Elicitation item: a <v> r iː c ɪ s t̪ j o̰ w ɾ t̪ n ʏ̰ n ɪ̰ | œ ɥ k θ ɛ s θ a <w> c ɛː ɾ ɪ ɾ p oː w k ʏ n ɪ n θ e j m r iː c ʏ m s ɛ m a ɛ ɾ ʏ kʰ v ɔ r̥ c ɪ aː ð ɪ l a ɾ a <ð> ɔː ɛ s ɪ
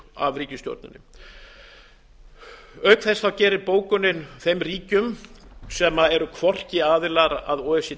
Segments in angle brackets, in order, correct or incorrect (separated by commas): correct, correct, correct